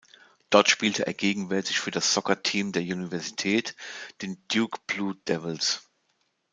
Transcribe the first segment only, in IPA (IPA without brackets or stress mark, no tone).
d̥